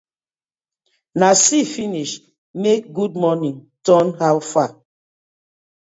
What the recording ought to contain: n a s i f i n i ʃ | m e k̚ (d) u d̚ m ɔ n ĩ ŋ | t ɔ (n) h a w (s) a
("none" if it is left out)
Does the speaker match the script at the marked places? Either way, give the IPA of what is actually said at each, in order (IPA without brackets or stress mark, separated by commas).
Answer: ɡ, n, f